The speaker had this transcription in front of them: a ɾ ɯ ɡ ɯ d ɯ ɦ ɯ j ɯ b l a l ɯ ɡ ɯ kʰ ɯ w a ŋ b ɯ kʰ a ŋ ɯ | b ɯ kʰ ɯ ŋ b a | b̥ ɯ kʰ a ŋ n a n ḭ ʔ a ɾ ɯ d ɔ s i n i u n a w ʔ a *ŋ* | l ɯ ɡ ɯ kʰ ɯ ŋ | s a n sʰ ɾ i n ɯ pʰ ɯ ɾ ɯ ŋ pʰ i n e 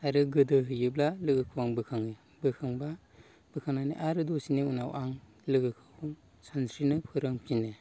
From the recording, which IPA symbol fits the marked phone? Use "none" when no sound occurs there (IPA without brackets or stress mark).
ŋ